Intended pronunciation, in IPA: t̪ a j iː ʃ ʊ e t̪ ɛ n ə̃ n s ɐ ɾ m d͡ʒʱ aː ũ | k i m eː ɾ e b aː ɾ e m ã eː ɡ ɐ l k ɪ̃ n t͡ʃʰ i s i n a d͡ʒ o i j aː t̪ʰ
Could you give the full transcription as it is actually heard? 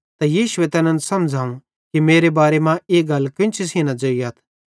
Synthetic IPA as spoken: t̪ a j iː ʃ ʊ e t̪ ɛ n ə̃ n s ɐ m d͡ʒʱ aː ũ | k i m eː ɾ e b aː ɾ e m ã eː ɡ ɐ l k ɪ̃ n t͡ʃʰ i s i n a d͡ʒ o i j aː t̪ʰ